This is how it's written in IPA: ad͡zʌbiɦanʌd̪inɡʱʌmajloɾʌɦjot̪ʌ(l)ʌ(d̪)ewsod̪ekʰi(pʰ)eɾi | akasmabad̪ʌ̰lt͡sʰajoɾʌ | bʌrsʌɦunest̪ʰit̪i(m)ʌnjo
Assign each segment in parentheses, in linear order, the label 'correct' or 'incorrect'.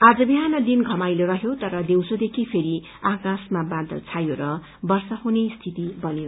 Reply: incorrect: ɾ, correct, correct, incorrect: b

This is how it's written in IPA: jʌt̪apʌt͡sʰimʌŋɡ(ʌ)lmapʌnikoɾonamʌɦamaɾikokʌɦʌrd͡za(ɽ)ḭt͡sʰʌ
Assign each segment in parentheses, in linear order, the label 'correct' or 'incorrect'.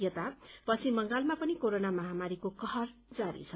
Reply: incorrect: a, incorrect: ɾ

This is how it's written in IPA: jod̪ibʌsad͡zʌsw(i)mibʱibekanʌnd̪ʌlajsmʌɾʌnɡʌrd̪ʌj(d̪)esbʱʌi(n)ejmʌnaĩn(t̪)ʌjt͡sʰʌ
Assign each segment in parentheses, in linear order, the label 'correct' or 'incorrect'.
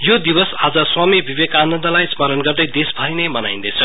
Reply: incorrect: a, correct, correct, incorrect: d̪

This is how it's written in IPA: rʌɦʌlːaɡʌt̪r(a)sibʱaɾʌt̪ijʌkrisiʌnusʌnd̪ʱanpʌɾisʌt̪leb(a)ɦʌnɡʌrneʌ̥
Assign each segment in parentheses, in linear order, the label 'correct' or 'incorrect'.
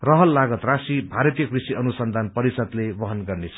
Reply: correct, incorrect: ʌ

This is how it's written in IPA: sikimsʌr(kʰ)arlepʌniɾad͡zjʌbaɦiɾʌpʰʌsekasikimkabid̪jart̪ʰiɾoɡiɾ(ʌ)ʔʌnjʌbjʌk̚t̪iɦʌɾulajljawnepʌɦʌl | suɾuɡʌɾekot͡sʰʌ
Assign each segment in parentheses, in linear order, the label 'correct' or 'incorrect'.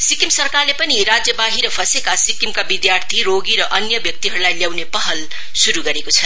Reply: incorrect: k, correct

